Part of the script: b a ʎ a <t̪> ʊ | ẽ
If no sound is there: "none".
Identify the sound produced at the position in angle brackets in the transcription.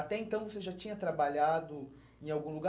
d̪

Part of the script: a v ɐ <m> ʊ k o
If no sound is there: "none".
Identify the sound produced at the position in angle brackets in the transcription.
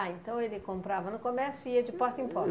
n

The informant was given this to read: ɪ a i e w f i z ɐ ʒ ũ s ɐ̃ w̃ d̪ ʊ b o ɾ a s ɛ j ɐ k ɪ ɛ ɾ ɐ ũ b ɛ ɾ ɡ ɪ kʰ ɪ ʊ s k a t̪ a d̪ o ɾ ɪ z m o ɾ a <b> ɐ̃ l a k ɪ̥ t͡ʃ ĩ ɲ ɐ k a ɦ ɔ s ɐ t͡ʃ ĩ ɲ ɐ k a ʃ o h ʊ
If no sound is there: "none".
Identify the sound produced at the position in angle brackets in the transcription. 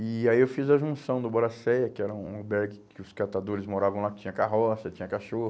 v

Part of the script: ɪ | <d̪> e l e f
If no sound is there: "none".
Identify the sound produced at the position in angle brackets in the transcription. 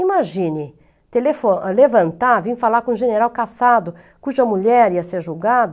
t̪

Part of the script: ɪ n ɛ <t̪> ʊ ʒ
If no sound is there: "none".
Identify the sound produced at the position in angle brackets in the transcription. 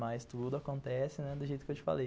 d̪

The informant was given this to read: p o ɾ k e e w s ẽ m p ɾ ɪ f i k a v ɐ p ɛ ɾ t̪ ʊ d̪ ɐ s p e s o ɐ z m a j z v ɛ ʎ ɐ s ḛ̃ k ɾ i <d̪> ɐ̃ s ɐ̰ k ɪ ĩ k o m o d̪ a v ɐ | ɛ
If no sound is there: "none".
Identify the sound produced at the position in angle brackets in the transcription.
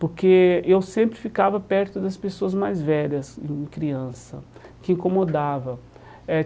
none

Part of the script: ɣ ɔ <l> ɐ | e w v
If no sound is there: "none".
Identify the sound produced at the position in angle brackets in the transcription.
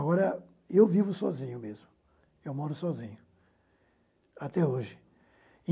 ɾ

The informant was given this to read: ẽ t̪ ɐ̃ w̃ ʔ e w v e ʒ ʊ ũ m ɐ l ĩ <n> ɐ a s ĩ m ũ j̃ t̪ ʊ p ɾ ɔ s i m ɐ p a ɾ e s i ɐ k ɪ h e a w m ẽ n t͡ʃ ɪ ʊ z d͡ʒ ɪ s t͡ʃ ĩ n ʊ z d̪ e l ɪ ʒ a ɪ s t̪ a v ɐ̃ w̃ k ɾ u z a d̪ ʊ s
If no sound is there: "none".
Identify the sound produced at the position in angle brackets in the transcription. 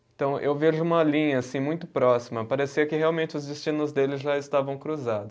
ɲ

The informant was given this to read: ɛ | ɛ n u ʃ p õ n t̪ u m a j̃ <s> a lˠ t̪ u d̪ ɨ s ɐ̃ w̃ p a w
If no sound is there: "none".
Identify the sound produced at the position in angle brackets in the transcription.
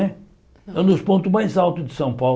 z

